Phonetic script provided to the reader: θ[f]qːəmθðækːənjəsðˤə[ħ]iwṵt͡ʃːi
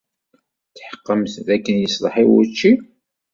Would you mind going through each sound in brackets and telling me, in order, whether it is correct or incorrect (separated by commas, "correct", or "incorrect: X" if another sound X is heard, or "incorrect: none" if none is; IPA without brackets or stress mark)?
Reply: incorrect: ħ, correct